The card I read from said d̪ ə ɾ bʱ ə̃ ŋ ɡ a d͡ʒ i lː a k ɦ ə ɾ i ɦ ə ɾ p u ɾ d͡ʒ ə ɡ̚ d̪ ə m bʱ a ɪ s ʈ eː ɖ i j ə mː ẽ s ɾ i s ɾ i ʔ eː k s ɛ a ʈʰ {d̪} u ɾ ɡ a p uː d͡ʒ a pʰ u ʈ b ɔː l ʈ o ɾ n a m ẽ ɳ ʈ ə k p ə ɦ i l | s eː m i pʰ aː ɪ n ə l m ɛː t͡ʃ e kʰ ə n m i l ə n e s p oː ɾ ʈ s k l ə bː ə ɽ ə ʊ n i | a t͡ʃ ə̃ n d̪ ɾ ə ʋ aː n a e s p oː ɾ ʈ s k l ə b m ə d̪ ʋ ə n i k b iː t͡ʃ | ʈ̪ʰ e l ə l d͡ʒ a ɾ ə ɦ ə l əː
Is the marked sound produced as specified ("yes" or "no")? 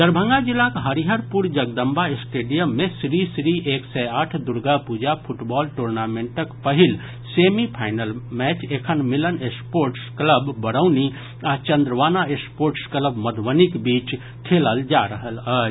yes